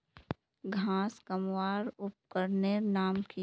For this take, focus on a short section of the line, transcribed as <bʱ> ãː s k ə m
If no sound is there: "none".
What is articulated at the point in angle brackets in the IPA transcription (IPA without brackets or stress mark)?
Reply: ɡʱ